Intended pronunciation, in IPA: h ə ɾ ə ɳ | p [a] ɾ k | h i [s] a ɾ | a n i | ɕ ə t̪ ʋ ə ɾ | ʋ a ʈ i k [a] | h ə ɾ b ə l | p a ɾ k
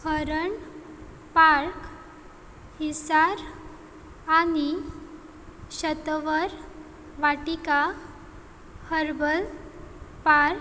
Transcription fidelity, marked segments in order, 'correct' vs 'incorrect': correct, correct, correct

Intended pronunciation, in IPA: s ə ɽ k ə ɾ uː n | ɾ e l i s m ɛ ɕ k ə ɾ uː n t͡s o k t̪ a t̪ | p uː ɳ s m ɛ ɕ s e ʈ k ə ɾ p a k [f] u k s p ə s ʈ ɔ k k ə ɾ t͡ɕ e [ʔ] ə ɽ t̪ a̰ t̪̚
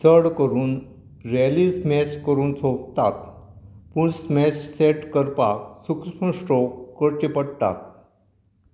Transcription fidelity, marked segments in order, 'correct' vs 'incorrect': incorrect, incorrect

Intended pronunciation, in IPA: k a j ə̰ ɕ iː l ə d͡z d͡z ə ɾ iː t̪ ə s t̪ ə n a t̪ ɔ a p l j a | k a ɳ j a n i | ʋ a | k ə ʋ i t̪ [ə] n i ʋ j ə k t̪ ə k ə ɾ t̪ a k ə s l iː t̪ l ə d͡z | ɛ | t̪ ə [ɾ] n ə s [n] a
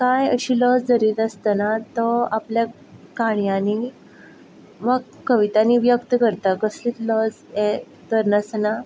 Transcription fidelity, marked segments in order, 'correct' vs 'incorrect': incorrect, correct, correct

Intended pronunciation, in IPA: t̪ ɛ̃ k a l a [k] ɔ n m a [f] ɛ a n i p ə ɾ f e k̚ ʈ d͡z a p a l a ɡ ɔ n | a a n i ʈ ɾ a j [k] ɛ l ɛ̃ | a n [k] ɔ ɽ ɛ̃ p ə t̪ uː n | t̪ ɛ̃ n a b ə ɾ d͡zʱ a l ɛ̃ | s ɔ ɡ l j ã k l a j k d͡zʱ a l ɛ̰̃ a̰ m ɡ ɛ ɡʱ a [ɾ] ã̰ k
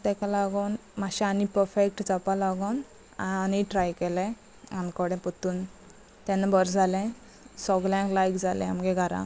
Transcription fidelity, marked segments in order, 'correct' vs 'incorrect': incorrect, incorrect, correct, correct, correct

